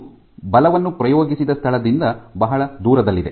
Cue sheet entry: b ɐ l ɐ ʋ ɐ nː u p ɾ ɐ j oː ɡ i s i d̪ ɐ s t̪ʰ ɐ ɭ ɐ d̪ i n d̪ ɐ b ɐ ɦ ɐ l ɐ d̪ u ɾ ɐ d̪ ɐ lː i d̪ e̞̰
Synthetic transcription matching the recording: b ɐ l ɐ ʋ ɐ nː u p ɾ ɐ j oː ɡ i s i d̪ ɐ s t̪ʰ ɐ ɭ ɐ d̪ i n d̪ ɐ b ɐ ɦ ɐ ɭ ɐ d̪ uː ɾ ɐ d̪ ɐ lː i d̪ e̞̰